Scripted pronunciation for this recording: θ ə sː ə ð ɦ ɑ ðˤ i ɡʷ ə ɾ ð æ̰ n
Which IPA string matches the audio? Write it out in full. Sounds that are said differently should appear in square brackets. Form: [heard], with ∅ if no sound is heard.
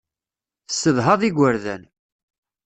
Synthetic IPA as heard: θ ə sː ə ð ɦ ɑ ðˤ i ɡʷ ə ɾ ð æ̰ n